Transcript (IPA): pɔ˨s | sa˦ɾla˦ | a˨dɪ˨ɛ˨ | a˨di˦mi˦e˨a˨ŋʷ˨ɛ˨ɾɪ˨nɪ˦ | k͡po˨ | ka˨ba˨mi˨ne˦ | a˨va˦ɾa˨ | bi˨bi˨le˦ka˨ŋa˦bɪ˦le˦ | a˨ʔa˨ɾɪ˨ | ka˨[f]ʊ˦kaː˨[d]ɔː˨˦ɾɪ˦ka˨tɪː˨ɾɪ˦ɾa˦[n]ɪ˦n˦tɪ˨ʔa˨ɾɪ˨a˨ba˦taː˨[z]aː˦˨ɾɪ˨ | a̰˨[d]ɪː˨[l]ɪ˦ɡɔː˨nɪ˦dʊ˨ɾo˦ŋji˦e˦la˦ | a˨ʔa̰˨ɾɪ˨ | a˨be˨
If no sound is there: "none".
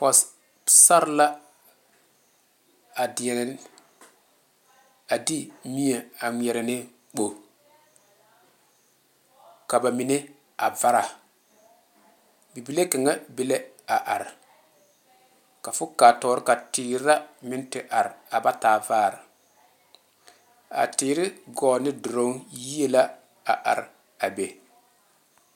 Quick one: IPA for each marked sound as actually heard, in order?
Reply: f, t, m, v, t, ɾ

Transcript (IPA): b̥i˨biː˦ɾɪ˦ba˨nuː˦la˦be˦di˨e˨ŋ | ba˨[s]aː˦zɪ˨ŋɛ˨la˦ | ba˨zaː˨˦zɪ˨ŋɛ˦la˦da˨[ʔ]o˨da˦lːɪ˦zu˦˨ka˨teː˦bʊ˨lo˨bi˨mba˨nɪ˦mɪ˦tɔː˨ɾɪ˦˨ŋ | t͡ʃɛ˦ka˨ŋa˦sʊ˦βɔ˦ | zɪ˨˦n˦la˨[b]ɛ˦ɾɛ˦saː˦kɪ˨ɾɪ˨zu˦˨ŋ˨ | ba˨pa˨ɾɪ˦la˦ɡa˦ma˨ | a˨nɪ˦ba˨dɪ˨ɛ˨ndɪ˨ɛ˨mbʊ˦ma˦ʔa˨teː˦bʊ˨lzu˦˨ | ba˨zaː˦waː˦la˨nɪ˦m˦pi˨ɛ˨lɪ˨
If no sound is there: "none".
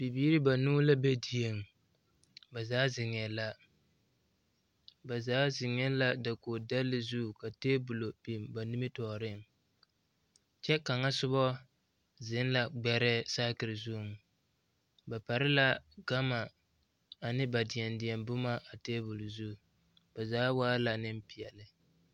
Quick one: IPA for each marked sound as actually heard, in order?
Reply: z, k, ɡ͡b

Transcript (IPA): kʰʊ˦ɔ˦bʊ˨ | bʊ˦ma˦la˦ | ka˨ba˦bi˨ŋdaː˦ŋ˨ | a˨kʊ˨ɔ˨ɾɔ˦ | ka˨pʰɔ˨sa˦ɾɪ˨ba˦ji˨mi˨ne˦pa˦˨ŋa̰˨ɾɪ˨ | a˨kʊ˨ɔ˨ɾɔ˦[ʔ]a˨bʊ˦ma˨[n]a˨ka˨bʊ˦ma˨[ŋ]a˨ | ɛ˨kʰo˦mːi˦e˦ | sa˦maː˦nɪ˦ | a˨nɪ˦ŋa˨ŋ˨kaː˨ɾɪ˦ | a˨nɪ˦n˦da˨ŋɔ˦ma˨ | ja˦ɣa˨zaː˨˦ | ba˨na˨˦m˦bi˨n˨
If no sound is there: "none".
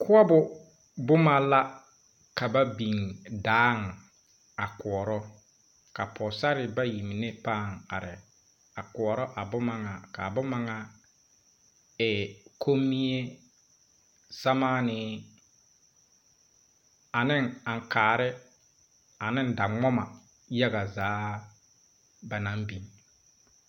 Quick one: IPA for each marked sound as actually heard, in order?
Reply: ʔ, ŋ, ŋ

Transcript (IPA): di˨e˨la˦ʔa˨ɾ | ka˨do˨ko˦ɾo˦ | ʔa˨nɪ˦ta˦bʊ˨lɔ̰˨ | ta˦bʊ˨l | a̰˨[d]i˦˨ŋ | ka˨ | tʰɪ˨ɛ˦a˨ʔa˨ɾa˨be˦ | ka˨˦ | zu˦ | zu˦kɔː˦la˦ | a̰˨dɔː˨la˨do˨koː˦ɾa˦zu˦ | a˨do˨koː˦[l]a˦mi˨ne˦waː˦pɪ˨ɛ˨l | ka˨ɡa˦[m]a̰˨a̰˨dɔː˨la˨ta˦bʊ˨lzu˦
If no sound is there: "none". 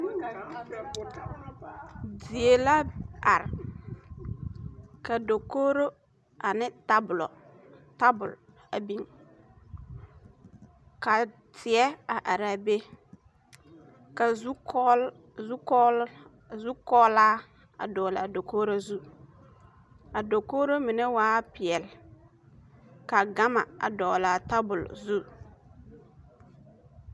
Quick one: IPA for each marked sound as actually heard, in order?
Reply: b, ɾ, m

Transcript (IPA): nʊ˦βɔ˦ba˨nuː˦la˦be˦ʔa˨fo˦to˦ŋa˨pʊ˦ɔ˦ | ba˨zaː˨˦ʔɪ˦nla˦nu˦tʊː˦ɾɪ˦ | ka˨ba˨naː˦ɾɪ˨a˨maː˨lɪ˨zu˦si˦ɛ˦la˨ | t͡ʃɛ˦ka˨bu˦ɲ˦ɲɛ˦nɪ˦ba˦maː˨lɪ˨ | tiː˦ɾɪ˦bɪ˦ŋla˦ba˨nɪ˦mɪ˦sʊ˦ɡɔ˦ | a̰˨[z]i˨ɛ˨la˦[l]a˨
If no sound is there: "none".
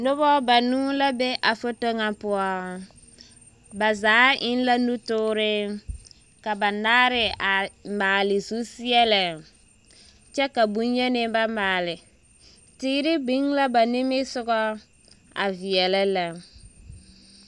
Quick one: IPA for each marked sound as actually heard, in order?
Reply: v, l

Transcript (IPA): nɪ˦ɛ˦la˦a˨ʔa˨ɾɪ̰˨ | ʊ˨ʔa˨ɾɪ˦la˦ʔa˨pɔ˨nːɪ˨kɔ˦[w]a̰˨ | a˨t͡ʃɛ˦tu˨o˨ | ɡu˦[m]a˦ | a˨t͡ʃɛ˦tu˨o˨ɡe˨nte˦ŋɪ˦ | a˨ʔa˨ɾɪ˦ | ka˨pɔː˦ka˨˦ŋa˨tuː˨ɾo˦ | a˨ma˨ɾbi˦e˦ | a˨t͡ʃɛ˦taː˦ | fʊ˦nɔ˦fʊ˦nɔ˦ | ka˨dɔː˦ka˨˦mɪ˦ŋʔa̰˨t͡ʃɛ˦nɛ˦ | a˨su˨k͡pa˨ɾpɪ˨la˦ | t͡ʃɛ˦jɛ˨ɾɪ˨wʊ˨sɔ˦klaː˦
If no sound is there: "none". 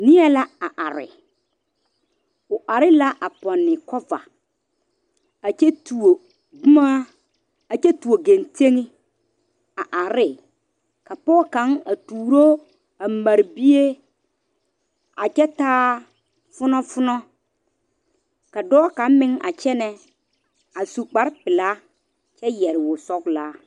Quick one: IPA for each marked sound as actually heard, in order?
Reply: v, m

